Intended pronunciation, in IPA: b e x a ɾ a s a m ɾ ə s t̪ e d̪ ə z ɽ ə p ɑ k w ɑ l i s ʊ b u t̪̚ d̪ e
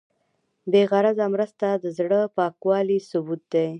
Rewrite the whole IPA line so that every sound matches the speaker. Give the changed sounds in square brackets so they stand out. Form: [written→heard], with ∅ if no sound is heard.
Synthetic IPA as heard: b e [x→ɣ] a ɾ a [s→z] a m ɾ ə s t̪ [e→a] d̪ ə z ɽ ə p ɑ k w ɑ l i s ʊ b u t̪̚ d̪ e